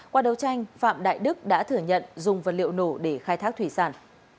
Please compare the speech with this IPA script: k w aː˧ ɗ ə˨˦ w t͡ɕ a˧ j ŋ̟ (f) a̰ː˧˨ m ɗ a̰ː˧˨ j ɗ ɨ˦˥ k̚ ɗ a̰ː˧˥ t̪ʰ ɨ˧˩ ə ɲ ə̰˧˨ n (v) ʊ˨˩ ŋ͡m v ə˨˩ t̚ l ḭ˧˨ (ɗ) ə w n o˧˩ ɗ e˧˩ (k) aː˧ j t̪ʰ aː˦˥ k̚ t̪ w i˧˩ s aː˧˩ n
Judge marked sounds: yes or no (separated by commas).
yes, no, no, no